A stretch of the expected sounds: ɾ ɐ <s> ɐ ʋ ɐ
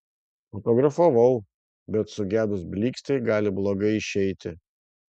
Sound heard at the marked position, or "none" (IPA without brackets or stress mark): f